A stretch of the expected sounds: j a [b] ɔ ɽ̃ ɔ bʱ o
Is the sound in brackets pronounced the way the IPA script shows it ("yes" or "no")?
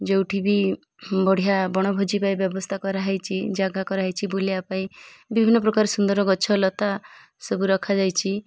yes